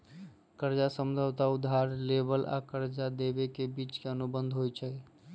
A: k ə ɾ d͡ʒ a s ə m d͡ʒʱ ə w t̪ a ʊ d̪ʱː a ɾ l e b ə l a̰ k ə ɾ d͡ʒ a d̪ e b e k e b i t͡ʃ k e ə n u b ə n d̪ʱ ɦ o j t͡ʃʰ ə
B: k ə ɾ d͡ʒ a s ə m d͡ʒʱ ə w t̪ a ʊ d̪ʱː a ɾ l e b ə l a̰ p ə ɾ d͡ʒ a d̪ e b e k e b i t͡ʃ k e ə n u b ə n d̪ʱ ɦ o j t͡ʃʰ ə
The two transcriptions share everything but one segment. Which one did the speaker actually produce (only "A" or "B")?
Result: A